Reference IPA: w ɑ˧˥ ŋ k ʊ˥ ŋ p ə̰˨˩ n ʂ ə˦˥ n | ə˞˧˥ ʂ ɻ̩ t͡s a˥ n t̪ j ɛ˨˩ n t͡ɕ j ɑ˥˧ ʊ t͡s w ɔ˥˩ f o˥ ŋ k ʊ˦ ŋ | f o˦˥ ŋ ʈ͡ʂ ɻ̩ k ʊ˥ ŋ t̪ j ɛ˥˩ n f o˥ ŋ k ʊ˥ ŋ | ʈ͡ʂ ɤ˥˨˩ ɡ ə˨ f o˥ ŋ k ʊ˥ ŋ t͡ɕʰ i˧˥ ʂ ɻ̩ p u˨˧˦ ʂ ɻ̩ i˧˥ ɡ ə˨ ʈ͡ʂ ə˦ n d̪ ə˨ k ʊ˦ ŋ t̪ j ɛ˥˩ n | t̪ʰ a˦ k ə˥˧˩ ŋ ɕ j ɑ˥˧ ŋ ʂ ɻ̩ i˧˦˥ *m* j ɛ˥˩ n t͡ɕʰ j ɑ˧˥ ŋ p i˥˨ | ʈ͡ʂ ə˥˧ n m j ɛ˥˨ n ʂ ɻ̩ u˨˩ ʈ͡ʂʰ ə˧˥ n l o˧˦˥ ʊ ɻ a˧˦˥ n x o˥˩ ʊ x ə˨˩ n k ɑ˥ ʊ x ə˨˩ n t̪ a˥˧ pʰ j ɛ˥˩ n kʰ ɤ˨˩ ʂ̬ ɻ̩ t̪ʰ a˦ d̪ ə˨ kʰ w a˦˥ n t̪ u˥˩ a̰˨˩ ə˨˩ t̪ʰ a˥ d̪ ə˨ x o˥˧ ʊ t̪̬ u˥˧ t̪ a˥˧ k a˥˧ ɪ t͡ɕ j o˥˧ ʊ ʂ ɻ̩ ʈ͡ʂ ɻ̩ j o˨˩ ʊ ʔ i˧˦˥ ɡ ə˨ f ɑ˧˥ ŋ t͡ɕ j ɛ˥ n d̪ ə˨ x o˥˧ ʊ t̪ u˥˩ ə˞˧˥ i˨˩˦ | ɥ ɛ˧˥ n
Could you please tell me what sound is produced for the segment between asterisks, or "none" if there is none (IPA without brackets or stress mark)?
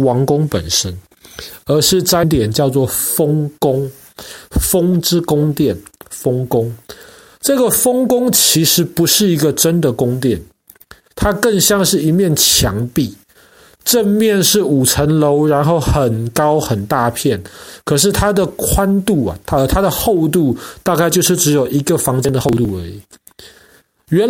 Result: m